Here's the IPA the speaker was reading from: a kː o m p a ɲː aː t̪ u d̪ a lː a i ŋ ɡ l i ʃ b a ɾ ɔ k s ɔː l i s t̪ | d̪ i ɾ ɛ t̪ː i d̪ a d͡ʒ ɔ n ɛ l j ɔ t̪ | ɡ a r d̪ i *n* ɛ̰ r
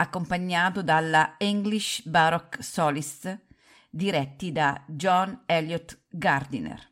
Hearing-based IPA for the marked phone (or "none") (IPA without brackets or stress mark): n